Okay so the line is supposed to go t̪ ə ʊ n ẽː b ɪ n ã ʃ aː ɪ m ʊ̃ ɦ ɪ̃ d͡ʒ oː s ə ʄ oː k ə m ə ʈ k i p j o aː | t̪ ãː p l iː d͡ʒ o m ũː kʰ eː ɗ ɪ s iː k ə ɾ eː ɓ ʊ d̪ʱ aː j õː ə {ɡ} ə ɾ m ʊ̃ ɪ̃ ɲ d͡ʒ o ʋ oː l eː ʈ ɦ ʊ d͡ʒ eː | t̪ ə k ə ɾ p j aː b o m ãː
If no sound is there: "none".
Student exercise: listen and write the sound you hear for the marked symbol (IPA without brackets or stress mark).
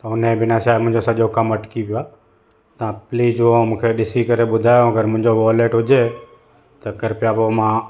ɡ